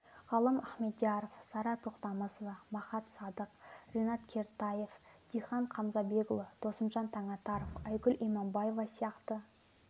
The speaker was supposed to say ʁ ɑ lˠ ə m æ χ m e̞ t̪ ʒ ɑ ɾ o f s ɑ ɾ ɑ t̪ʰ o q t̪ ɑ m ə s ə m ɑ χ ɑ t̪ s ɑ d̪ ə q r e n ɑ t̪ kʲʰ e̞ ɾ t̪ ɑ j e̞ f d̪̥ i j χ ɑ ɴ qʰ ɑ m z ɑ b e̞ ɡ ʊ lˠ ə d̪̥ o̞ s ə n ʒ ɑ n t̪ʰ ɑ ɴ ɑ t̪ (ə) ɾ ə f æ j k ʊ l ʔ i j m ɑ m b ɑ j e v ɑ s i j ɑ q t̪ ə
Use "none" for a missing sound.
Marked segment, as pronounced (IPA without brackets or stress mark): ɑ